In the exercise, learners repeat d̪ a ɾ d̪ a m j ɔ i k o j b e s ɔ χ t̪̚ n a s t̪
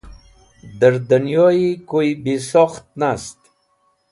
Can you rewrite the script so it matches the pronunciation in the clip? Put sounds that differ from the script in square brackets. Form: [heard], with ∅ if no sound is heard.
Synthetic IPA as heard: d̪ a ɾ d̪ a [n] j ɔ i k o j b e s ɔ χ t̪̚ n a s t̪